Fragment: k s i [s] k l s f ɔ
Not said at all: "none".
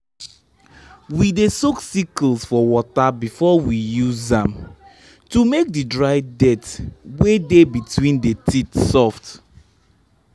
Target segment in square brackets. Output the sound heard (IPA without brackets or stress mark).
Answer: none